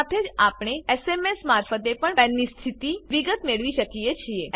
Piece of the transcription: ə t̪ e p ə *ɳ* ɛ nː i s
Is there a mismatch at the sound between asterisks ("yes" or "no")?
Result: no